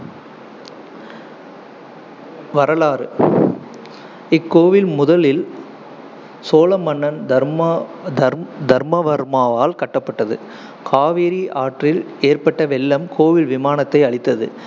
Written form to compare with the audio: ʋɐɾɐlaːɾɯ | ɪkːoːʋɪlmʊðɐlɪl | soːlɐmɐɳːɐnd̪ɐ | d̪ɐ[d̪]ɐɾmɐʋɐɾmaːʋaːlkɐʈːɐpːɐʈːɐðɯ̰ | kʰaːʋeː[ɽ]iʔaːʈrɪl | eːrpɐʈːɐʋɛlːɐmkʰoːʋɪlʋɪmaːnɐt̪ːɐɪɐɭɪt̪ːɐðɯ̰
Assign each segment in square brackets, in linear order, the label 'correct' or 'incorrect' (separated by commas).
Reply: correct, incorrect